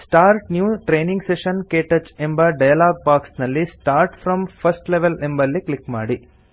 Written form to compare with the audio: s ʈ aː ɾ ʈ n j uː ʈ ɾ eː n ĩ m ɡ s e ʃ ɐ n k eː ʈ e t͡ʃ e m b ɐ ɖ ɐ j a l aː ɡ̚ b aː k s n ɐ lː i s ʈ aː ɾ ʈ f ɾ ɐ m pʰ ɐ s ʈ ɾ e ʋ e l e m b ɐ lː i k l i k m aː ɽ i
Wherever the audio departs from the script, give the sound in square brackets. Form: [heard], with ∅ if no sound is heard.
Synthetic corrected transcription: s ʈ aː ɾ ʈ n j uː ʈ ɾ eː n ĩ [ŋ] ɡ s e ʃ ɐ n k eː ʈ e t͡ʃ e m b ɐ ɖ ɐ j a l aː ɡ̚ b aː k s n ɐ lː i s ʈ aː ɾ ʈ f ɾ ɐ m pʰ ɐ s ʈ [l] e ʋ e l e m b ɐ lː i k l i k m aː ɽ i

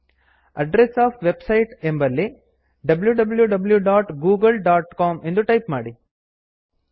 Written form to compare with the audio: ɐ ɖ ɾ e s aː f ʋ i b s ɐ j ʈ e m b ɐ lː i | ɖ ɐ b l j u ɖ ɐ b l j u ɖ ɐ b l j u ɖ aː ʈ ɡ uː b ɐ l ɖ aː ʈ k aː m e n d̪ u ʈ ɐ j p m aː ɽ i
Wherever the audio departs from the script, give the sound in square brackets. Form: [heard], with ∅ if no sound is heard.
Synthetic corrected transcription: ɐ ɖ ɾ e s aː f ʋ [e] b s ɐ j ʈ e m b ɐ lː i | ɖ ɐ b l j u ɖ ɐ b l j u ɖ ɐ b l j u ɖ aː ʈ ɡ uː [ɡ] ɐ l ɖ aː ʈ k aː m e n d̪ u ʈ ɐ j p m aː ɽ i

